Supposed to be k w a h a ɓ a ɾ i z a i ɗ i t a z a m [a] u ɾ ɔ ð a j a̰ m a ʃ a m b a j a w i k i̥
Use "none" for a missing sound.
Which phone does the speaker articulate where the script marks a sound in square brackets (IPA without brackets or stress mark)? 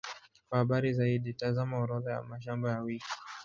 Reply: a